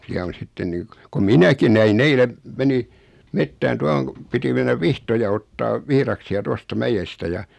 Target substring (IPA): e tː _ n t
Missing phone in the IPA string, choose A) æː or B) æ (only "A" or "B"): A